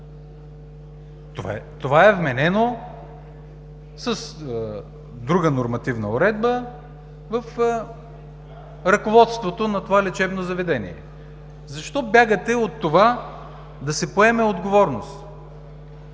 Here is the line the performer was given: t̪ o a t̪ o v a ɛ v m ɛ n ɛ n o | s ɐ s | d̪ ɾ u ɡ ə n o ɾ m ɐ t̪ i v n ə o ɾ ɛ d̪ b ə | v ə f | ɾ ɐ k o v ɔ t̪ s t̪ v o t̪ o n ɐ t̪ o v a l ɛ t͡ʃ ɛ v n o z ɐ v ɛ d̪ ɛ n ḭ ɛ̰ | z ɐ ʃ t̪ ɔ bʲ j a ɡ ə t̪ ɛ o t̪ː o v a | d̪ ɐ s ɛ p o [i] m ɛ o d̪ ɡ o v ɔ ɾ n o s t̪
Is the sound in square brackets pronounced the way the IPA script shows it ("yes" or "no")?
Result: no